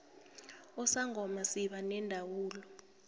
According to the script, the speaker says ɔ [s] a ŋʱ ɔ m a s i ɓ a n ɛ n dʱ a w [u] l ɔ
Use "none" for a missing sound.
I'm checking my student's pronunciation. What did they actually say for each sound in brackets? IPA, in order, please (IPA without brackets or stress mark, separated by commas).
s, uː